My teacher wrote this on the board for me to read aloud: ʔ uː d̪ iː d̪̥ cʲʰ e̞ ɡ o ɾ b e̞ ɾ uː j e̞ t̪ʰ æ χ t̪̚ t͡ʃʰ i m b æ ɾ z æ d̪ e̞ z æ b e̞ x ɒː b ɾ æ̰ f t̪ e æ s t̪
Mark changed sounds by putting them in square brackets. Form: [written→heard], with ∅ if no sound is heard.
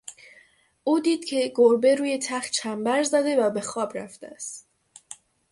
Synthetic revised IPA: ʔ uː d̪ iː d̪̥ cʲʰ e̞ ɡ o ɾ b e̞ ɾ uː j e̞ t̪ʰ æ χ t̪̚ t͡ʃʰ [i→æ] m b æ ɾ z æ d̪ e̞ [z→v] æ b e̞ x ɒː b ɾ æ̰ f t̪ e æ s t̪

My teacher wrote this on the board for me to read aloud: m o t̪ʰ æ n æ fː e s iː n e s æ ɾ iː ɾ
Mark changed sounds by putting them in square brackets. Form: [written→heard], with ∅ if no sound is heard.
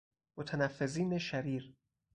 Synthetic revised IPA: m o t̪ʰ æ n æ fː e [s→z] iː n e [s→ʃ] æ ɾ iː ɾ

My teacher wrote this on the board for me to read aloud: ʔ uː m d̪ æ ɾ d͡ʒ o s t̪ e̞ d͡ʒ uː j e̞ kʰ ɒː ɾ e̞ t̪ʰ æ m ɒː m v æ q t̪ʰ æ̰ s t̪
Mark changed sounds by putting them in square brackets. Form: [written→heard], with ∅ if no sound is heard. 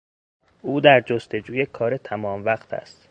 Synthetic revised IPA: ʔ uː [m→∅] d̪ æ ɾ d͡ʒ o s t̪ e̞ d͡ʒ uː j e̞ kʰ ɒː ɾ e̞ t̪ʰ æ m ɒː m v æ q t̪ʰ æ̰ s t̪

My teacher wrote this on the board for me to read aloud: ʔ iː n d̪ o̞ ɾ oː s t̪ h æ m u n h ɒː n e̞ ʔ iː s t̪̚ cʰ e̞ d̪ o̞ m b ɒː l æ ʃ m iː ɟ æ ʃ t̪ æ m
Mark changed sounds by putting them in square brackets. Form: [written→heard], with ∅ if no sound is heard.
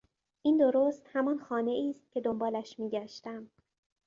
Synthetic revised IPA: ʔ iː n d̪ o̞ ɾ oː s t̪ h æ m [u→ɒ] n [h→x] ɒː n e̞ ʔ iː s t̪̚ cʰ e̞ d̪ o̞ m b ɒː l æ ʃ m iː ɟ æ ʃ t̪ æ m

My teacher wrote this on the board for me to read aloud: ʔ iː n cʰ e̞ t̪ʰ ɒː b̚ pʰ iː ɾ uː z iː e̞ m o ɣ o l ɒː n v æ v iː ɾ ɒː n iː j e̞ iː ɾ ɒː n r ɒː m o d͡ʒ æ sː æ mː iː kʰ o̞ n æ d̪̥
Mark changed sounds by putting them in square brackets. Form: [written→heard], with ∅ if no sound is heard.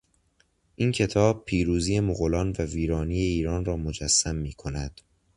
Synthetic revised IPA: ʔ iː n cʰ e̞ t̪ʰ ɒː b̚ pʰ iː ɾ uː z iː e̞ m o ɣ o l ɒː n v æ v iː ɾ ɒː n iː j e̞ iː ɾ ɒː n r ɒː m o d͡ʒ æ sː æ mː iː kʰ o̞ n æ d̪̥

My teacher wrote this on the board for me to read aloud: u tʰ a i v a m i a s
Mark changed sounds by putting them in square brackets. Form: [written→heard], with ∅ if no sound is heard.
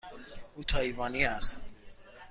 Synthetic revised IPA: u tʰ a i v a [m→n] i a s

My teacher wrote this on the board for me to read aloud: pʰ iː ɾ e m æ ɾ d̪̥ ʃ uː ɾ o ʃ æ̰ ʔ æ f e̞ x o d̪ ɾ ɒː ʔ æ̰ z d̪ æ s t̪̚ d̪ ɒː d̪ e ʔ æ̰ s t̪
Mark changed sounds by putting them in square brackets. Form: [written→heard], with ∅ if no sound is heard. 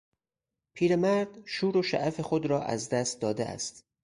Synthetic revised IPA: pʰ iː ɾ e m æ ɾ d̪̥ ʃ uː ɾ o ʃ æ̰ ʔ æ f e̞ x o d̪ ɾ ɒː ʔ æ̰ z d̪ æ s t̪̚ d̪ ɒː d̪ e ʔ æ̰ s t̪

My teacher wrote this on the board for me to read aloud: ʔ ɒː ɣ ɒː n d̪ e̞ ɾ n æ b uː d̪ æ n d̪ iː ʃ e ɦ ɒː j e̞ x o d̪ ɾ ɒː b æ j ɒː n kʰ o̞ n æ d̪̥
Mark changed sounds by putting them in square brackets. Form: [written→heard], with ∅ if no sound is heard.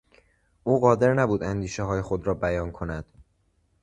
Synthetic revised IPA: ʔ [ɒː→uː] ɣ ɒː [n→∅] d̪ e̞ ɾ n æ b uː d̪ æ n d̪ iː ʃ e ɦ ɒː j e̞ x o d̪ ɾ ɒː b æ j ɒː n kʰ o̞ n æ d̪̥

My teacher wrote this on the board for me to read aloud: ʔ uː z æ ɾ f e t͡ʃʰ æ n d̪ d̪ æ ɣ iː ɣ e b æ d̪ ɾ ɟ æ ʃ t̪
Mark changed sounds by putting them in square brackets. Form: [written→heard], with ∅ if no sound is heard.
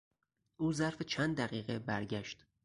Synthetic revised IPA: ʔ uː z æ ɾ f e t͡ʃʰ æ n d̪ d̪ æ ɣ iː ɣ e b æ [d̪→∅] ɾ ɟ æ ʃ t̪

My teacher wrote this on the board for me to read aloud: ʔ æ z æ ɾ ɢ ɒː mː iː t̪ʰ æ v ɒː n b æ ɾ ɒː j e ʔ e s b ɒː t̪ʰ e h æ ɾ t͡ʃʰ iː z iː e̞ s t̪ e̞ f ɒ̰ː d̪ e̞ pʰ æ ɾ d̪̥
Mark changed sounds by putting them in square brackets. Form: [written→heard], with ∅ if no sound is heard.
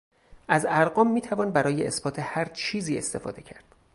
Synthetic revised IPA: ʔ æ z æ ɾ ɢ ɒː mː iː t̪ʰ æ v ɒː n b æ ɾ ɒː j e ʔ e s b ɒː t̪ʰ e h æ ɾ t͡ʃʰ iː z iː e̞ s t̪ e̞ f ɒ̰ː d̪ e̞ [pʰ→cʰ] æ ɾ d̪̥

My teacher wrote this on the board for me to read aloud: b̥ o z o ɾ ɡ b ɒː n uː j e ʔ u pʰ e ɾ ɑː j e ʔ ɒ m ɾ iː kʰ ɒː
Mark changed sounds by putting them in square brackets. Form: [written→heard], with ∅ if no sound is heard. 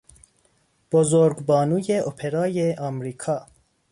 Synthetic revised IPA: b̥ o z o ɾ ɡ b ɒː n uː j e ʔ [u→o] pʰ e ɾ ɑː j e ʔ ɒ m ɾ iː kʰ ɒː

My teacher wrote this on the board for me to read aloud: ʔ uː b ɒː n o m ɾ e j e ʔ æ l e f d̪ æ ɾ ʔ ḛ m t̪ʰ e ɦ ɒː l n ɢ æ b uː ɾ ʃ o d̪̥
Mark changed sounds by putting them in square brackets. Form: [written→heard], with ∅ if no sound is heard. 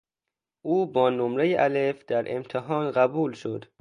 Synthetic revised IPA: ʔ uː b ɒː n o m ɾ e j e ʔ æ l e f d̪ æ ɾ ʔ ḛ m t̪ʰ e ɦ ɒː [l→∅] n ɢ æ b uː [ɾ→l] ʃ o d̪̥

